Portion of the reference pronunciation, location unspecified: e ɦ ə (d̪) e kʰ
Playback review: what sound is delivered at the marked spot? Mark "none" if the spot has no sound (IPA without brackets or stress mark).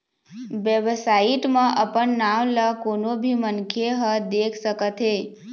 d̪